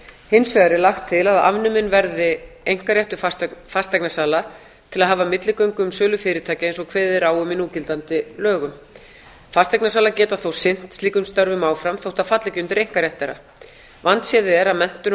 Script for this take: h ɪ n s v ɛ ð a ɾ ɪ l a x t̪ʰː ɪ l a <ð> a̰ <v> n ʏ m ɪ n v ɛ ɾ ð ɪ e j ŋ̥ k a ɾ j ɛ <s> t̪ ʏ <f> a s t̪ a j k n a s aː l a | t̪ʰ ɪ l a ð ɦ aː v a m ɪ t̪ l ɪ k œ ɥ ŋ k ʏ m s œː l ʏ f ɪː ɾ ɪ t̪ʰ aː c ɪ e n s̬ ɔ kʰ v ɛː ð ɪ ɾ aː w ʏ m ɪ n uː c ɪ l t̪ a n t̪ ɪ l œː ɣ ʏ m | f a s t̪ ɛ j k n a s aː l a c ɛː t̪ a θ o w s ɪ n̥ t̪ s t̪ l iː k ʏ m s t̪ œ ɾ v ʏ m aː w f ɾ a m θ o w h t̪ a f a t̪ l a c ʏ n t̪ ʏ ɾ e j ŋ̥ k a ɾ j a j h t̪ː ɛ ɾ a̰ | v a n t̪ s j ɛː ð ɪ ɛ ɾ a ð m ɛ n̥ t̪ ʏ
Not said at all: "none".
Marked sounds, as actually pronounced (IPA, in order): ð, v, h, f

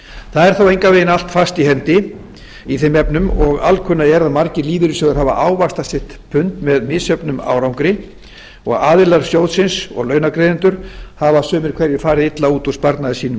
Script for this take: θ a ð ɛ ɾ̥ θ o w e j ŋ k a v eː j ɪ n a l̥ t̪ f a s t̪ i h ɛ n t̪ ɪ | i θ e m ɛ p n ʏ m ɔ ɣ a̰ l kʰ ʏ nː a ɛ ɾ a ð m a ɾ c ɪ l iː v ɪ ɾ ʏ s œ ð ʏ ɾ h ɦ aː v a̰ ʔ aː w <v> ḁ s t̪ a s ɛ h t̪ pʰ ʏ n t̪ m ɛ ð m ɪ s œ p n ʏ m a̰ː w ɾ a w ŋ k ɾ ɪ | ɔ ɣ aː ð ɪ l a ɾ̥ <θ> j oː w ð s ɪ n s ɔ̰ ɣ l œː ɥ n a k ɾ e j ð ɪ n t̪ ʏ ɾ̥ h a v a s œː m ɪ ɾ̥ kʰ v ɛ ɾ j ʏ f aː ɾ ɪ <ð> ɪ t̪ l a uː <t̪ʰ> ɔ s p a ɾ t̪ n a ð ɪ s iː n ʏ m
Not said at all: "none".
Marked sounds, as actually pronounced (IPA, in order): v, s, ð, t̪

